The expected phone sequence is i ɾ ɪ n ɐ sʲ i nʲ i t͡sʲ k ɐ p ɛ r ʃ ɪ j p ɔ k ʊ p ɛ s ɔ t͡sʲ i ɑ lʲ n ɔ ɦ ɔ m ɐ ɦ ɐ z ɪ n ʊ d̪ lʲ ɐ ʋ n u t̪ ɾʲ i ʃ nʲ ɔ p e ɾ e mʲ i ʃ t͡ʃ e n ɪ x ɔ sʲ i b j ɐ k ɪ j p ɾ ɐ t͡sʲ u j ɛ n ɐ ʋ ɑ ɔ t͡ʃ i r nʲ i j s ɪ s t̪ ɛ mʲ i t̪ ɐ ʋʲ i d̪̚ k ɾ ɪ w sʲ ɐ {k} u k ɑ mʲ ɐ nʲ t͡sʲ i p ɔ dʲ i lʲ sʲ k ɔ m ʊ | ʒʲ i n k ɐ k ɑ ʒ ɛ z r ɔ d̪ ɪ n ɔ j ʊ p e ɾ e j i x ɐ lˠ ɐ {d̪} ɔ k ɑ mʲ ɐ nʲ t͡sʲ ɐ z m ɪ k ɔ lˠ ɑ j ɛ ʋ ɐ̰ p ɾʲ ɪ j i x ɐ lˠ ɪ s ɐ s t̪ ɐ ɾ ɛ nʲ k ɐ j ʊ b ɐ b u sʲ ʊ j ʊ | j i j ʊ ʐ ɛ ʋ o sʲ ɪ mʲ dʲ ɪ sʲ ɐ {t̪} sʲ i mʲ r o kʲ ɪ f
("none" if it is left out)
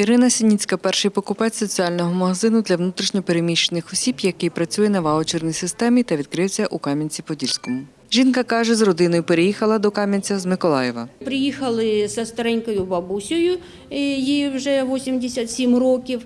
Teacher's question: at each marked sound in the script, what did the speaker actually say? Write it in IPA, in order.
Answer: ʔ, d̪, t̪

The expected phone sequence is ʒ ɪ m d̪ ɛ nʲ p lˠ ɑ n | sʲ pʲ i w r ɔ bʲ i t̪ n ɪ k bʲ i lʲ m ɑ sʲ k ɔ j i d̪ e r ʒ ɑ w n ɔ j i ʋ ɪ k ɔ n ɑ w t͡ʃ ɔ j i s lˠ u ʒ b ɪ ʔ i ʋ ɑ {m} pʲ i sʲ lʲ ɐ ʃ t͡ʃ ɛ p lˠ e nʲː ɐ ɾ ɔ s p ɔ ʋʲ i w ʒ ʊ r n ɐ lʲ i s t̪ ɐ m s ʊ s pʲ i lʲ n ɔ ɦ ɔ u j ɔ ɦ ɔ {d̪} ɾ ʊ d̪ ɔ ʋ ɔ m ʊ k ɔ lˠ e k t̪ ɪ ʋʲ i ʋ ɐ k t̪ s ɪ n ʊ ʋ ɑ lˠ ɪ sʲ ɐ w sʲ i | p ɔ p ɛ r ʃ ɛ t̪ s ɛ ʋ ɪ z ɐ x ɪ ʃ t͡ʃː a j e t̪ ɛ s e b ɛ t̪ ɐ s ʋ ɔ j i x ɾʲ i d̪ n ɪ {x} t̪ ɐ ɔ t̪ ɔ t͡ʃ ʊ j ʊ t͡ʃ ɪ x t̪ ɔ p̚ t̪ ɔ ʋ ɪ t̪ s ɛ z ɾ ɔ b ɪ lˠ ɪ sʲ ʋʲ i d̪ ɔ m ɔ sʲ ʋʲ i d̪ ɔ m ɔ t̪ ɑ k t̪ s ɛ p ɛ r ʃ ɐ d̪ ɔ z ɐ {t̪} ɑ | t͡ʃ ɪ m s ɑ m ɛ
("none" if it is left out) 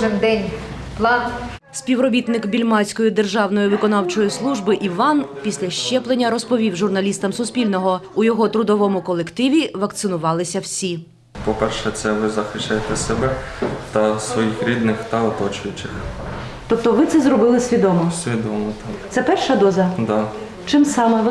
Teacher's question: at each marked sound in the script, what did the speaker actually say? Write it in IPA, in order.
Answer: n, t̪, x, d̪

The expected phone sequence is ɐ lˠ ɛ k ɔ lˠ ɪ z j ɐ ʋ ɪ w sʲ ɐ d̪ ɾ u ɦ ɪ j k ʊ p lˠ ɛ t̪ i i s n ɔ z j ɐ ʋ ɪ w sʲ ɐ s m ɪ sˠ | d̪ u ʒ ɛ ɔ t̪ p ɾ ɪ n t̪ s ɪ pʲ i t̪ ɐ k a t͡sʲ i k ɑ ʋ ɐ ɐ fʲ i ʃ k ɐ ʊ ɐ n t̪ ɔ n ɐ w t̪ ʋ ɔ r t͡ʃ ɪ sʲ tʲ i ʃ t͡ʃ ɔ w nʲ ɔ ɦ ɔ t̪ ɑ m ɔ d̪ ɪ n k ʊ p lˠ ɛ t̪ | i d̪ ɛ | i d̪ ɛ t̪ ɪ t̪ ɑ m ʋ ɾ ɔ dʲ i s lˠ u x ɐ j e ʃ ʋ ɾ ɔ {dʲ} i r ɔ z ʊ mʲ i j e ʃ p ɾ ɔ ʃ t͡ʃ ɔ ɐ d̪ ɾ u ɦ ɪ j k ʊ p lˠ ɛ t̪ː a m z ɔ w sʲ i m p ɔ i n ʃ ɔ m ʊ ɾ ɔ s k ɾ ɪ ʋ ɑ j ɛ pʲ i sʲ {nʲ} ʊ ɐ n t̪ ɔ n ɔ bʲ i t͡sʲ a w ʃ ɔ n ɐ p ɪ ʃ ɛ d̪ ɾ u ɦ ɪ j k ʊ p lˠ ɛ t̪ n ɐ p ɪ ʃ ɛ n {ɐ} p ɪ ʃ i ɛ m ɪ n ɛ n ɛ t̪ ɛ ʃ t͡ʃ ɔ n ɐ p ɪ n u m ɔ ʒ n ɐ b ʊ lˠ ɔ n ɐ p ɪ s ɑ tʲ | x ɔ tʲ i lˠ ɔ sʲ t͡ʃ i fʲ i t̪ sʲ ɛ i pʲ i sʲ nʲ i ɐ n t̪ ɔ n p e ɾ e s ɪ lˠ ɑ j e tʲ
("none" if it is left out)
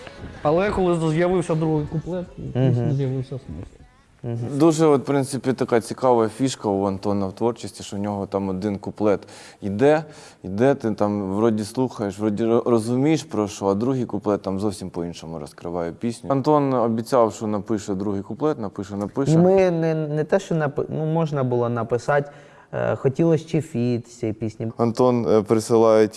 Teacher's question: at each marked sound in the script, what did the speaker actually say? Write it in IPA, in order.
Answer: dʲ, nʲ, ɐ

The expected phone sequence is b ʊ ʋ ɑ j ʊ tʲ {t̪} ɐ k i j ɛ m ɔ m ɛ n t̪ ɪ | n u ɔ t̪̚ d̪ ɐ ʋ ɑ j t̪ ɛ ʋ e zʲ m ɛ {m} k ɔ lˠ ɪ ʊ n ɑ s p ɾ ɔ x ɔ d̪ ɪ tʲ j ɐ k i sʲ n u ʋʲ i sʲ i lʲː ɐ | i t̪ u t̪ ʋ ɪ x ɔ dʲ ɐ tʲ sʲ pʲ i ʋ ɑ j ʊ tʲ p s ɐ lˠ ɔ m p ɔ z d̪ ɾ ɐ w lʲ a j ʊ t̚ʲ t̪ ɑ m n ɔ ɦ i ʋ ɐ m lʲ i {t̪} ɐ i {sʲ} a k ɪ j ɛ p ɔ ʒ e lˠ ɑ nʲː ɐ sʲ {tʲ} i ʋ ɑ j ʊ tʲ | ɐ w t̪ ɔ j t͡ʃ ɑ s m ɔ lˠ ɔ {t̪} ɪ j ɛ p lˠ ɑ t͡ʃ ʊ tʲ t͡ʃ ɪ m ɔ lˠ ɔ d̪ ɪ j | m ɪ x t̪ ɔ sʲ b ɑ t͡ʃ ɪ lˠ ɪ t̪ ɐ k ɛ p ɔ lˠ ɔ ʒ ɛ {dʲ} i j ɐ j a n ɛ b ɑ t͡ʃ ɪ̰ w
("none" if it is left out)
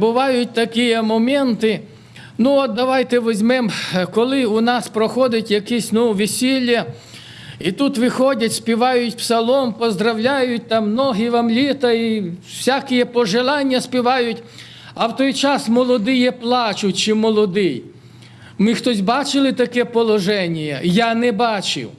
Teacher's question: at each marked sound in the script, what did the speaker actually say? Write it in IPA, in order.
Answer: t̪, m, t̪, sʲ, pʲ, d̪, nʲ

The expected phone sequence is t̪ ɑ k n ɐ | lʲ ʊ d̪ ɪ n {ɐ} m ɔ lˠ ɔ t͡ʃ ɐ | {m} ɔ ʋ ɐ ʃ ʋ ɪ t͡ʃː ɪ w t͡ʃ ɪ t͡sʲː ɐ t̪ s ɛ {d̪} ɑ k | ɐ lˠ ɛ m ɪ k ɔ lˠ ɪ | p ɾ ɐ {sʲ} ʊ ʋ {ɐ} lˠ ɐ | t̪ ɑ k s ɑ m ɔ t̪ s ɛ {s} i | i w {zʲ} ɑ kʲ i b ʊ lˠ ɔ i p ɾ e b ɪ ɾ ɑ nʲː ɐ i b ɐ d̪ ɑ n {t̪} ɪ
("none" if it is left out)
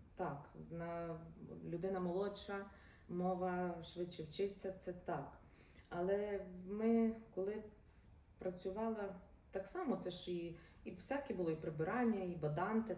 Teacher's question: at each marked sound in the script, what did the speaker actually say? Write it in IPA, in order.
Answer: ɐ, m, t̪, t͡sʲ, ɑ, ʃ, sʲ, t̪

